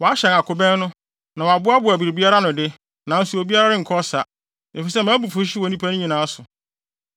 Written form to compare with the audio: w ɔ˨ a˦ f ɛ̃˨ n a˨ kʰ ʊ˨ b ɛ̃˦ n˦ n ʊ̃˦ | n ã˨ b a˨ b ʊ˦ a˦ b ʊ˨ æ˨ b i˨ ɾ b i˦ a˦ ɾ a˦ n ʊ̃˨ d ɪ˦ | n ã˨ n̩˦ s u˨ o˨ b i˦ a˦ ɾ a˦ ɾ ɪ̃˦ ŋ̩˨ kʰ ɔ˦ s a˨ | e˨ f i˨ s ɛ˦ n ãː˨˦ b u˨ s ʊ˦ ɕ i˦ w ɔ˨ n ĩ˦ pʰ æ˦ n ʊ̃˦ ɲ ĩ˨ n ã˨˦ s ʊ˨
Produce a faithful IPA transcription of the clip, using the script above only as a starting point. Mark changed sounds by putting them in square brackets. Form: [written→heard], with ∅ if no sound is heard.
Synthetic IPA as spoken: w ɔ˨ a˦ [f→ɕ] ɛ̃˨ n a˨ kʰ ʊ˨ b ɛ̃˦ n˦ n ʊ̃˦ | n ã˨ [b→w] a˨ b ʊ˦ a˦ b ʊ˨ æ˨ b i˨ ɾ b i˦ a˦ ɾ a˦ n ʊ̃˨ d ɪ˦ | n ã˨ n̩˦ s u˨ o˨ b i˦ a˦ ɾ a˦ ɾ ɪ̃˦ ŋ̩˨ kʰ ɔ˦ s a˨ | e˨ f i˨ s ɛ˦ [n→m] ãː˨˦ b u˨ [s→f] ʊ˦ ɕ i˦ w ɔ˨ n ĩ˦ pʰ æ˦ n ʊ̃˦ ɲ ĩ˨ n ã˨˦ s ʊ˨